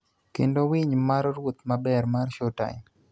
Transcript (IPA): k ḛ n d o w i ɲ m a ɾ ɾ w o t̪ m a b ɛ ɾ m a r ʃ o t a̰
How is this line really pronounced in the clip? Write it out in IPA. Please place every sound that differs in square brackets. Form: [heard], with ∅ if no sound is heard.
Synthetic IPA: k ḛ n d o w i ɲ m a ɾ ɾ w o t̪ m a b ɛ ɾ m a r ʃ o t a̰